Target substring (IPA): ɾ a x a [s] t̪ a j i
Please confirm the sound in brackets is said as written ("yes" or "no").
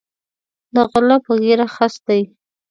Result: yes